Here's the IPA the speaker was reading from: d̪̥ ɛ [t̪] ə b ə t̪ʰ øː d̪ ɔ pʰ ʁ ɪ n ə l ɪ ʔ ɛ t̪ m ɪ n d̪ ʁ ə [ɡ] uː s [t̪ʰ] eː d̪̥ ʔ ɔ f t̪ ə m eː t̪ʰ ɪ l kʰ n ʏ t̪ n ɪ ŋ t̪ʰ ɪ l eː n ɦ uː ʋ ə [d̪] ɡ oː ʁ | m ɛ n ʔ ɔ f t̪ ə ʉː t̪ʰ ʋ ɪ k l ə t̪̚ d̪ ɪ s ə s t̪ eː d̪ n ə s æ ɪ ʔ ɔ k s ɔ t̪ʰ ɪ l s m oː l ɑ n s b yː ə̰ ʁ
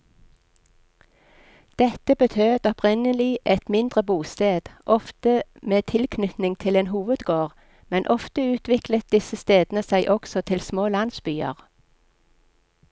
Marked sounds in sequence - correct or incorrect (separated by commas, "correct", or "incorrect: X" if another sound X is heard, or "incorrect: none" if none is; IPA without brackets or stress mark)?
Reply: correct, incorrect: b, incorrect: t̪, correct